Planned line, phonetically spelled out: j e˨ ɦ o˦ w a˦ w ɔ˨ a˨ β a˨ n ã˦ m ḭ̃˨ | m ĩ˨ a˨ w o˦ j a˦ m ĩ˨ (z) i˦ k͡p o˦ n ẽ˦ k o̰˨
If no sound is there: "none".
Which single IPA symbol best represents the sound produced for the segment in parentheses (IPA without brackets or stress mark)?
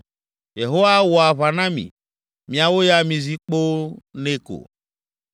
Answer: z